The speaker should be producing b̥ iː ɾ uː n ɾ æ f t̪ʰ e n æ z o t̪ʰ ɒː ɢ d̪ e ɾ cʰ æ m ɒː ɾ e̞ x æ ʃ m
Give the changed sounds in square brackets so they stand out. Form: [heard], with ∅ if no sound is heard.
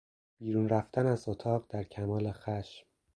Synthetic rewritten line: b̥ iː ɾ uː n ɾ æ f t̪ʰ [æ] n æ z o t̪ʰ ɒː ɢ d̪ [æ] ɾ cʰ æ m ɒː [l] e̞ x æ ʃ m